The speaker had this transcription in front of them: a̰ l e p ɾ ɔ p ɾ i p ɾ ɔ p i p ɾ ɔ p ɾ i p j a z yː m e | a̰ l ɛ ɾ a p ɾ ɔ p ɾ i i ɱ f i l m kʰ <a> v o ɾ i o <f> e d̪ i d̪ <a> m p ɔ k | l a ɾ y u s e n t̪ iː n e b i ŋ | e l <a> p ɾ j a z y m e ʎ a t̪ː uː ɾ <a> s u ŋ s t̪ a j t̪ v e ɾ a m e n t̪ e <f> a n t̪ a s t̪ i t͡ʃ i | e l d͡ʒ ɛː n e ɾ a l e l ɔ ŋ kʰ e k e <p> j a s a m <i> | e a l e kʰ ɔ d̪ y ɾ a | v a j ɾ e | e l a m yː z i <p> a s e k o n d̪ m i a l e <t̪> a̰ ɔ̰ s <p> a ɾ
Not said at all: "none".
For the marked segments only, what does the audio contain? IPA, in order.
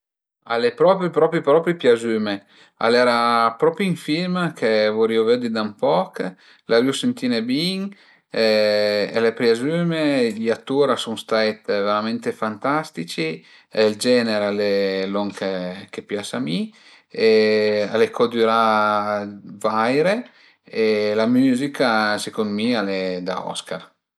e, v, a, e, a, f, p, i, k, d̪, k

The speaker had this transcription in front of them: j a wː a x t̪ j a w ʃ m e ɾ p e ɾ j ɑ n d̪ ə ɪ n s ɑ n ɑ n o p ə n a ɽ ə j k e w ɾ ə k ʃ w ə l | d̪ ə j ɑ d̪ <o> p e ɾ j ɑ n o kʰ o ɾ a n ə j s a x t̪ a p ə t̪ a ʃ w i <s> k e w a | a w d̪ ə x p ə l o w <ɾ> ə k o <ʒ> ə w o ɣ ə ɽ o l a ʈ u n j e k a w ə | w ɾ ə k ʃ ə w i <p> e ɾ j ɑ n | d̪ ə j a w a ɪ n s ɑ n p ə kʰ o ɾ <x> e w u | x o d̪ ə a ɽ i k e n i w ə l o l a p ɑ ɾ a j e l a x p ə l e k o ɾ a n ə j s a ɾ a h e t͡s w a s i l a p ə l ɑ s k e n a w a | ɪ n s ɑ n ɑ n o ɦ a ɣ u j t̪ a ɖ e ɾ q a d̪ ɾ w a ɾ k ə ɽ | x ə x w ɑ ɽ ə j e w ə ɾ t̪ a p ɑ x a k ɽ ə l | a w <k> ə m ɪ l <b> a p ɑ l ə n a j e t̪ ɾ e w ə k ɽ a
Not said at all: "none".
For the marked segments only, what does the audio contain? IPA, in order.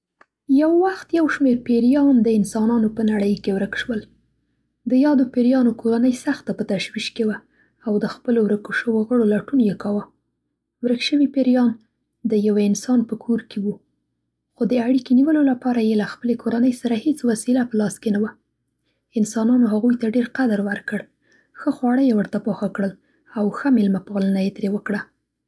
o, ʃ, ɾ, ʃ, p, k, x, m

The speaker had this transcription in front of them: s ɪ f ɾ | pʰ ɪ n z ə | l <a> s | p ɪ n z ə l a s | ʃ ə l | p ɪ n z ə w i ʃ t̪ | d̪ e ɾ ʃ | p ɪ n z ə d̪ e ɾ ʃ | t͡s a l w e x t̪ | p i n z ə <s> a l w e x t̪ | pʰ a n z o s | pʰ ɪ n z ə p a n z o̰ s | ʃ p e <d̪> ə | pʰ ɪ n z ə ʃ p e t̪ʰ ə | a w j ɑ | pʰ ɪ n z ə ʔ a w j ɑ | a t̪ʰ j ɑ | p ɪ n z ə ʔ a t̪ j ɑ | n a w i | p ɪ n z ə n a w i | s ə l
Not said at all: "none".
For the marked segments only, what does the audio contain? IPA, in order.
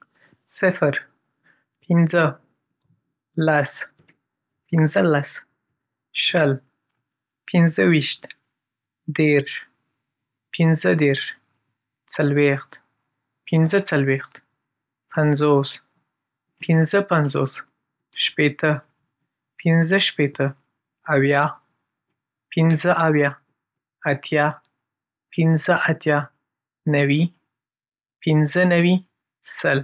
a, t͡s, t̪

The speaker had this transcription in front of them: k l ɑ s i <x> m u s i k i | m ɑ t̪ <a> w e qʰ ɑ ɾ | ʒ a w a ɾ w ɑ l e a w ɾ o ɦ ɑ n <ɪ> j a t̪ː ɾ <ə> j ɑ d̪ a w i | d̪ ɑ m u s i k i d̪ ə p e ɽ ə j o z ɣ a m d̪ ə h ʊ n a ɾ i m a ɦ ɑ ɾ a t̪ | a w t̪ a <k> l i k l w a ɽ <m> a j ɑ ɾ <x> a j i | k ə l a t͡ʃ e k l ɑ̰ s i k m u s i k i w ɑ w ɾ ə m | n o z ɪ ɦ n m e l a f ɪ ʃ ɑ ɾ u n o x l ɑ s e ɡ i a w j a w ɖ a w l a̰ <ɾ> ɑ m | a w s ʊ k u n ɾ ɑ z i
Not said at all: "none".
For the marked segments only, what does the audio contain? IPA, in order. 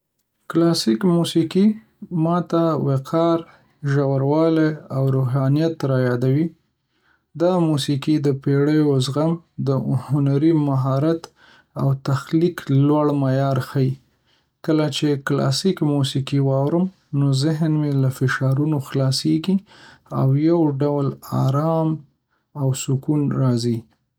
k, a, i, ɑ, x, m, x, ɾ

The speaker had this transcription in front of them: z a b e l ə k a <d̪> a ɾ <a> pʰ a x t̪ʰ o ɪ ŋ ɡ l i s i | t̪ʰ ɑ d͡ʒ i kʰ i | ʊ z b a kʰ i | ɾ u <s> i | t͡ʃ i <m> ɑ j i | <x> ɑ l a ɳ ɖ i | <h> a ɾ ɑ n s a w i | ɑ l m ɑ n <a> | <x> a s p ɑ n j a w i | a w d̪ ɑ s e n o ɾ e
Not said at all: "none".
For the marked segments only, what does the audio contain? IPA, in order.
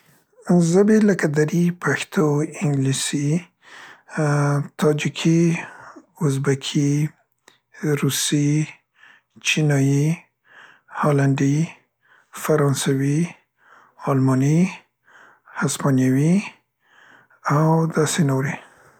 d̪, i, s, n, h, f, i, h

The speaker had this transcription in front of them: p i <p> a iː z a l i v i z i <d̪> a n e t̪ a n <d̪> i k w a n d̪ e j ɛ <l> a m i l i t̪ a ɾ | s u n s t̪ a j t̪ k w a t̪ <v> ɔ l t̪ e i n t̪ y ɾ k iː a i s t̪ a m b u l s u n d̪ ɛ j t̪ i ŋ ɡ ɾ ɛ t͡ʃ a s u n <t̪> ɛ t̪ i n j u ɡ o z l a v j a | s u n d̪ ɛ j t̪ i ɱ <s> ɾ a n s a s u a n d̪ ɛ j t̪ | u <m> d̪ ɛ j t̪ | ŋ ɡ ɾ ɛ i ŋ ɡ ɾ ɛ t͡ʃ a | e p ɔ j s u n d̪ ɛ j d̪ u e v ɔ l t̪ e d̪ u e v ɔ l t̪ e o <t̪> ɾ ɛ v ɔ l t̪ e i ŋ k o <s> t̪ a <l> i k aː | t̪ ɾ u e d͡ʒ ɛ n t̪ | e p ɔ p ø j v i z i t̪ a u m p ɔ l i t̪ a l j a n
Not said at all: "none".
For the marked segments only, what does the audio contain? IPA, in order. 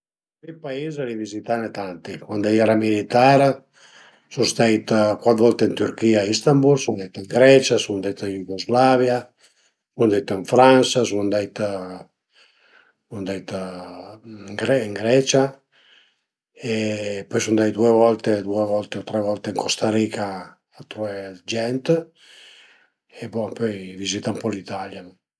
p, t̪, t̪, ɾ, v, d̪, f, n, t̪, s, ɾ

